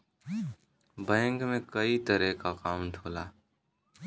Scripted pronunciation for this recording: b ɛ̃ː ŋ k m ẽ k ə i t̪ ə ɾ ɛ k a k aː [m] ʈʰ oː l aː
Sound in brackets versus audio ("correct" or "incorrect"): correct